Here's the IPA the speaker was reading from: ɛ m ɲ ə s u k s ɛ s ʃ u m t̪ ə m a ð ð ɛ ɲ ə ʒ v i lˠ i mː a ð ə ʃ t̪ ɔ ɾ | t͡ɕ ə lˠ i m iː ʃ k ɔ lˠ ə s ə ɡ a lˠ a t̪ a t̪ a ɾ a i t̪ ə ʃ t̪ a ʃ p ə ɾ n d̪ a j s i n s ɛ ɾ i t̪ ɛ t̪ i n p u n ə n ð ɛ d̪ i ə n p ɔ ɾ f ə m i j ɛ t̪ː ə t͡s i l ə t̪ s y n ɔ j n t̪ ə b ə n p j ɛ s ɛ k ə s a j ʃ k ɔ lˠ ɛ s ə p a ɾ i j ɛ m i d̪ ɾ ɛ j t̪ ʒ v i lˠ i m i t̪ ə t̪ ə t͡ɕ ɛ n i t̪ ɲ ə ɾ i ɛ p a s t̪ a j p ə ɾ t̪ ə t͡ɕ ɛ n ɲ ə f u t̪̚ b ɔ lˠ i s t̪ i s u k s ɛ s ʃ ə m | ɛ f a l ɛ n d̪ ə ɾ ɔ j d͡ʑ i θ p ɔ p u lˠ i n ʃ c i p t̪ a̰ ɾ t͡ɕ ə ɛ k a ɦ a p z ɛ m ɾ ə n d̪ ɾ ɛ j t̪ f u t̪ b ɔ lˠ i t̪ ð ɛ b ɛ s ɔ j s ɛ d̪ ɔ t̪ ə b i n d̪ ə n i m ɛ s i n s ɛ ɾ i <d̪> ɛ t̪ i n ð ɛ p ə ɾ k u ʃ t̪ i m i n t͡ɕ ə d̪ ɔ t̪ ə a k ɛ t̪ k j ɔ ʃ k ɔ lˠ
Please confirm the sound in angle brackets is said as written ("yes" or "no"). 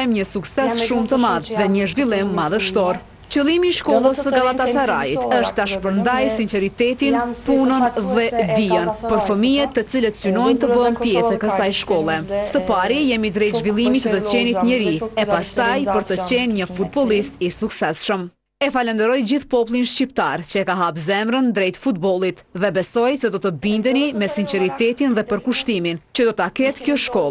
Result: no